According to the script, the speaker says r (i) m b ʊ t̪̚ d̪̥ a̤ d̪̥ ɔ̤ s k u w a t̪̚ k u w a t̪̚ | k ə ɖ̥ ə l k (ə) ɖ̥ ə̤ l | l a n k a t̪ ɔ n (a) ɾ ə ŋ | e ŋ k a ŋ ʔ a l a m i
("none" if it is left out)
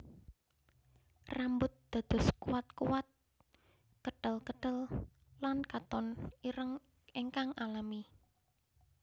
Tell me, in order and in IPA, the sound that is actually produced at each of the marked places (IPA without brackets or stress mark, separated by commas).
a, ə, i